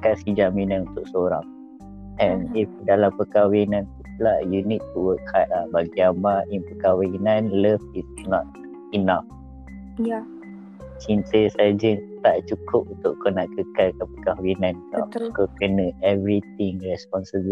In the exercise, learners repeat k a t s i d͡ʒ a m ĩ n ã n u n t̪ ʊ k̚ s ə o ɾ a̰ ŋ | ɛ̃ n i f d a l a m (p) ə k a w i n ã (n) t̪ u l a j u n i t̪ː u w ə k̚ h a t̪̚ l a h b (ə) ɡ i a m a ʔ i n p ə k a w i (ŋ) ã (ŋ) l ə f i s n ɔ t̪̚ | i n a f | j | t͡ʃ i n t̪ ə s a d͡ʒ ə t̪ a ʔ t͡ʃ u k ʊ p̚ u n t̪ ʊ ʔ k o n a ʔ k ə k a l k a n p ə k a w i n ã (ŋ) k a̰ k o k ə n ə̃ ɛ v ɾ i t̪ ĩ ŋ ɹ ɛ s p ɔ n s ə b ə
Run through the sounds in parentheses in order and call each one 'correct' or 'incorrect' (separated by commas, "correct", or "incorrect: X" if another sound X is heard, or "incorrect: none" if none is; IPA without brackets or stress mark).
correct, correct, incorrect: a, incorrect: n, incorrect: n, incorrect: n